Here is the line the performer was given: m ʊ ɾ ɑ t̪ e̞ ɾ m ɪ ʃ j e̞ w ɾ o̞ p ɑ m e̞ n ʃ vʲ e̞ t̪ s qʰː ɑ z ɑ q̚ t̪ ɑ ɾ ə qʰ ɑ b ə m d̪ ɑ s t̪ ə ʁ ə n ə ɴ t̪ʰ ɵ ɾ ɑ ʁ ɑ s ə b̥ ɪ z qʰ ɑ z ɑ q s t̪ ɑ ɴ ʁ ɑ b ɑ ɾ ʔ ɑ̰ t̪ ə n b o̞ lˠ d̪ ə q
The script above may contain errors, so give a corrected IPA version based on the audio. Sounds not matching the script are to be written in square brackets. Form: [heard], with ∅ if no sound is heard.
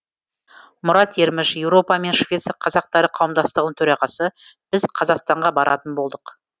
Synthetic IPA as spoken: m ʊ ɾ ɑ t̪ e̞ ɾ m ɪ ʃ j e̞ w ɾ o̞ p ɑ m e̞ n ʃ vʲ e̞ t̪ s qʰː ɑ z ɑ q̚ t̪ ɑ ɾ ə qʰ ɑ [w] ə m d̪ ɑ s t̪ ə ʁ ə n ə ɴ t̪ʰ ɵ ɾ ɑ ʁ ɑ s ə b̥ ɪ z qʰ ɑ z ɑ q s t̪ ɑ ɴ ʁ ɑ b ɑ ɾ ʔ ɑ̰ t̪ ə n b o̞ lˠ d̪ ə q